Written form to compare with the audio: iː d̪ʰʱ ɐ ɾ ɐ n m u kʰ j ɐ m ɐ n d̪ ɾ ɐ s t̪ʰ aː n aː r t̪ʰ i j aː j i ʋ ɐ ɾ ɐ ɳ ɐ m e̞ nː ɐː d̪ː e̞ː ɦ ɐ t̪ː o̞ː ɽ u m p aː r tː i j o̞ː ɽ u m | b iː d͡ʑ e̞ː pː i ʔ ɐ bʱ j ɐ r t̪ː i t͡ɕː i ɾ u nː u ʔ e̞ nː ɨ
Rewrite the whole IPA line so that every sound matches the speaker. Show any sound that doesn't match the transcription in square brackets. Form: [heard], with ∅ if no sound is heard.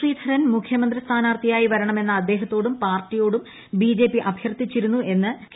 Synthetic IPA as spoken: iː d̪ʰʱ ɐ ɾ ɐ n m u kʰ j ɐ m ɐ n d̪ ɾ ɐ s t̪ʰ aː n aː r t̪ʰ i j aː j i ʋ ɐ ɾ ɐ ɳ ɐ m e̞ nː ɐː d̪ː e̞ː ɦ ɐ t̪ː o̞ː ɽ u m p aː r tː i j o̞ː ɽ u m | b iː d͡ʑ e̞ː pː i ʔ ɐ bʱ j ɐ r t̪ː i t͡ɕː i ɾ u nː u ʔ e̞ nː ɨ